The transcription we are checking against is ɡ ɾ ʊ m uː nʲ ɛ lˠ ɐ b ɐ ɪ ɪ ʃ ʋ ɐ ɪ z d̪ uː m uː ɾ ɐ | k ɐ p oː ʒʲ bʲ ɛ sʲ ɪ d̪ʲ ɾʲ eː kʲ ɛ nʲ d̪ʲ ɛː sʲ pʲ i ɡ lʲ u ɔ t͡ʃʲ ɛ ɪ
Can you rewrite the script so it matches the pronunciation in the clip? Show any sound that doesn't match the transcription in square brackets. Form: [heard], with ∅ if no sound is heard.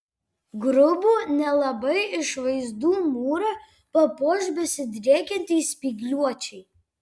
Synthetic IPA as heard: ɡ ɾ ʊ [b] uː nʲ ɛ lˠ ɐ b ɐ ɪ ɪ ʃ ʋ ɐ ɪ z d̪ uː m uː ɾ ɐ | [p] ɐ p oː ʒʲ bʲ ɛ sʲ ɪ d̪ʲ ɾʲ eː kʲ ɛ nʲ [t̪ʲ] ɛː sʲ pʲ i ɡ lʲ u ɔ t͡ʃʲ ɛ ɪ

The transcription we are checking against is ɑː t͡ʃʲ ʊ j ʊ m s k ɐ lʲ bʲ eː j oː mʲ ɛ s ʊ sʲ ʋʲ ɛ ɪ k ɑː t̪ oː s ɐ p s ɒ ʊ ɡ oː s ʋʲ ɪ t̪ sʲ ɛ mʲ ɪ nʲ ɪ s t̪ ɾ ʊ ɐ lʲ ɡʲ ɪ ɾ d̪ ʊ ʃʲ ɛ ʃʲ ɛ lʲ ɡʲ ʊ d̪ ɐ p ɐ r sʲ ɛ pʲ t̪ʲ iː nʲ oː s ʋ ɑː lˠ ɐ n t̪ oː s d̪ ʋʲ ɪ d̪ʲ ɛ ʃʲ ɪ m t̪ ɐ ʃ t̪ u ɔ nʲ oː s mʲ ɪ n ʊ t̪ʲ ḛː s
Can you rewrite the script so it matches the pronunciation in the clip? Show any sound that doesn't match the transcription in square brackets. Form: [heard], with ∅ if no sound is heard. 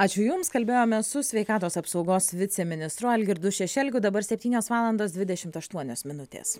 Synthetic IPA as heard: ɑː t͡ʃʲ ʊ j ʊ m s k ɐ lʲ bʲ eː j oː mʲ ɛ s ʊ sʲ ʋʲ ɛ ɪ k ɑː t̪ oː s ɐ p s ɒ ʊ ɡ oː s ʋʲ ɪ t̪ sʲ ɛ mʲ ɪ nʲ ɪ s t̪ ɾ ʊ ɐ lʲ ɡʲ ɪ ɾ d̪ ʊ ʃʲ ɛ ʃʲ ɛ lʲ ɡʲ ʊ d̪ ɐ [b] ɐ [ɾ] sʲ ɛ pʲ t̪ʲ iː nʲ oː s ʋ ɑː lˠ ɐ n [d̪] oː s d̪ ʋʲ ɪ d̪ʲ ɛ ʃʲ ɪ m t̪ ɐ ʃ t̪ u ɔ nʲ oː s mʲ ɪ n ʊ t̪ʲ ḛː s

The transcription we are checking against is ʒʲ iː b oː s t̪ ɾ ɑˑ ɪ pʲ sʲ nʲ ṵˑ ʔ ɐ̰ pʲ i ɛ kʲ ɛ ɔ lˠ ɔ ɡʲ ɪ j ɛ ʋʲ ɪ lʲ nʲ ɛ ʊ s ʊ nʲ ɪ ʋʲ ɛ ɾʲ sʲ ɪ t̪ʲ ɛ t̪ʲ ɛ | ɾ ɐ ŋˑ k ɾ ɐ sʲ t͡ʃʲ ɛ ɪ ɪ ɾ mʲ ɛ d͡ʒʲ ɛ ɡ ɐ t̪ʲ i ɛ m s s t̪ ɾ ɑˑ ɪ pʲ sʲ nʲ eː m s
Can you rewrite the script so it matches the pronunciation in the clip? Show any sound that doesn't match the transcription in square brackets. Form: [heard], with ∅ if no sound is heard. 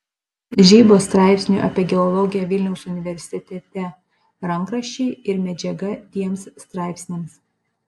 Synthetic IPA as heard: ʒʲ iː b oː s t̪ ɾ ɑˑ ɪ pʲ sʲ nʲ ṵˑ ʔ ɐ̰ pʲ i ɛ [ɡʲ] ɛ ɔ lˠ ɔ ɡʲ ɪ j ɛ ʋʲ ɪ lʲ nʲ ɛ ʊ s ʊ nʲ ɪ ʋʲ ɛ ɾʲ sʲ ɪ t̪ʲ ɛ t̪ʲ ɛ | ɾ ɐ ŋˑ k ɾ ɐ [ʃʲ] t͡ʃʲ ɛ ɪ ɪ ɾ mʲ ɛ d͡ʒʲ ɛ ɡ ɐ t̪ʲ i ɛ m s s t̪ ɾ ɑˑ ɪ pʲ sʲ nʲ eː m s

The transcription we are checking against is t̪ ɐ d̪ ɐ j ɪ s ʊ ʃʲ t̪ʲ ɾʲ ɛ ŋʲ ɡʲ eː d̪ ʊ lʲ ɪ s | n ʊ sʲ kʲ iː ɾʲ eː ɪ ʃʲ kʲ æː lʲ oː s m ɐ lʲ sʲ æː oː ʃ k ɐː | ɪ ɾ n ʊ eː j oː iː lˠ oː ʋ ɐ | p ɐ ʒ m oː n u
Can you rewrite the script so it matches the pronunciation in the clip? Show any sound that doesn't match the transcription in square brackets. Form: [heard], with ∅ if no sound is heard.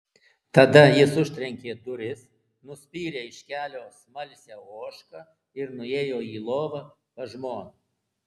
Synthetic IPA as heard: t̪ ɐ d̪ ɐ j ɪ s ʊ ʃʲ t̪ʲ ɾʲ ɛ ŋʲ [kʲ] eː d̪ ʊ [ɾʲ] ɪ s | n ʊ sʲ [pʲ] iː ɾʲ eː ɪ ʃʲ kʲ æː lʲ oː s m ɐ lʲ sʲ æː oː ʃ k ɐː | ɪ ɾ n ʊ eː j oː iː lˠ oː ʋ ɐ | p ɐ ʒ m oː n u

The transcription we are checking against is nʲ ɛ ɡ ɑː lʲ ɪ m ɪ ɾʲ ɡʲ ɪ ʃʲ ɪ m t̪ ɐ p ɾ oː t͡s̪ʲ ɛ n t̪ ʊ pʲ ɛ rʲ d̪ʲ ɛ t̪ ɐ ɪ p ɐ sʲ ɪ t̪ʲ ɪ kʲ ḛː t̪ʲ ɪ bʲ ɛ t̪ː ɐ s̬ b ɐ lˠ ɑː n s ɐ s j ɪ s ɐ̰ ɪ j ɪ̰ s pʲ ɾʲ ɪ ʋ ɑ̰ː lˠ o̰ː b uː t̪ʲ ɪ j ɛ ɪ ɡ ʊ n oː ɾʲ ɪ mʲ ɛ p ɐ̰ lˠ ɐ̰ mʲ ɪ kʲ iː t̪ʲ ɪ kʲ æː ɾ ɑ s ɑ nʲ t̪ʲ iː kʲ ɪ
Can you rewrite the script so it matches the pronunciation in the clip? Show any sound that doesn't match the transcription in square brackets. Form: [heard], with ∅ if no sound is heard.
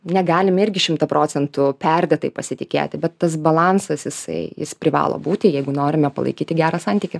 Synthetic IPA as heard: nʲ ɛ ɡ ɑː lʲ ɪ m ɪ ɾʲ ɡʲ ɪ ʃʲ ɪ m t̪ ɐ p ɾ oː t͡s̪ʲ ɛ n t̪ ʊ pʲ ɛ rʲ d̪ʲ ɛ t̪ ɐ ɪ p ɐ sʲ ɪ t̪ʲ ɪ kʲ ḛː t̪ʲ ɪ bʲ ɛ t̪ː ɐ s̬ b ɐ lˠ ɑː n s ɐ s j ɪ s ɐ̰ ɪ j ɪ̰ s pʲ ɾʲ ɪ ʋ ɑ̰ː lˠ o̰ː b uː t̪ʲ ɪ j ɛ ɪ ɡ ʊ n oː ɾʲ ɪ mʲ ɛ p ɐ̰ lˠ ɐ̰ [∅] ɪ kʲ iː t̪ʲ ɪ [ɡʲ] æː ɾ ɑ s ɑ nʲ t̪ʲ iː kʲ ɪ

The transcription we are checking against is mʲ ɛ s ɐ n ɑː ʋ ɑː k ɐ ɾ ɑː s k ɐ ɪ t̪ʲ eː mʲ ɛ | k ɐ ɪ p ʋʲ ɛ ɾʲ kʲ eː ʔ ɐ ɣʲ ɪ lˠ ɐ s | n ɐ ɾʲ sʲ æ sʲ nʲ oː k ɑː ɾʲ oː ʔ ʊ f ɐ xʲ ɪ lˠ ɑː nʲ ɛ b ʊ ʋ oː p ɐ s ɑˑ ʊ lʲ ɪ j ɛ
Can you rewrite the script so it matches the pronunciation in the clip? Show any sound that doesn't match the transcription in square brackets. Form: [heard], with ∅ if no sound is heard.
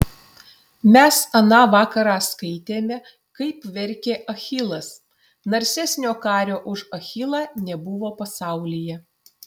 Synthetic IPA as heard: mʲ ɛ s ɐ n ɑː ʋ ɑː k ɐ ɾ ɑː s k ɐ ɪ t̪ʲ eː mʲ ɛ | k ɐ ɪ p ʋʲ ɛ ɾʲ kʲ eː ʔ ɐ [xʲ] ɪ lˠ ɐ s | n ɐ ɾʲ sʲ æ sʲ nʲ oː k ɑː ɾʲ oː ʔ ʊ [ʃ] ɐ xʲ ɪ lˠ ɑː nʲ ɛ b ʊ ʋ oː p ɐ s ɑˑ ʊ lʲ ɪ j ɛ

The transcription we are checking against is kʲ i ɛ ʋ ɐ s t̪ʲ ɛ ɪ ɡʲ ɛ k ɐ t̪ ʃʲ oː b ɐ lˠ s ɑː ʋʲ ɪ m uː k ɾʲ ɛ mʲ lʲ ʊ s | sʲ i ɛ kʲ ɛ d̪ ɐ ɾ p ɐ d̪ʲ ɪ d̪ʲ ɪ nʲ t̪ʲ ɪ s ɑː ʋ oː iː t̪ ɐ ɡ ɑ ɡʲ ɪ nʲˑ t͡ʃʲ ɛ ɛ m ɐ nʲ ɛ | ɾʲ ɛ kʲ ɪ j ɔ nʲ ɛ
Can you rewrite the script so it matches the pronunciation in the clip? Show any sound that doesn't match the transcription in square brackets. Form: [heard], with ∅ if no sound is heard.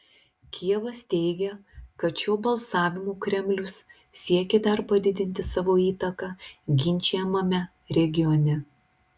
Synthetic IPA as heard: kʲ i ɛ ʋ ɐ s t̪ʲ ɛ ɪ ɡʲ ɛ k ɐ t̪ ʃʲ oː b ɐ lˠ s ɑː ʋʲ ɪ m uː k ɾʲ ɛ mʲ lʲ ʊ s | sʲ i ɛ kʲ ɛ d̪ ɐ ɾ p ɐ d̪ʲ ɪ d̪ʲ ɪ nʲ t̪ʲ ɪ s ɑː ʋ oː iː t̪ ɐ [k] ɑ ɡʲ ɪ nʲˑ t͡ʃʲ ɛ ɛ m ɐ [mʲ] ɛ | ɾʲ ɛ [ɡʲ] ɪ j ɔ nʲ ɛ

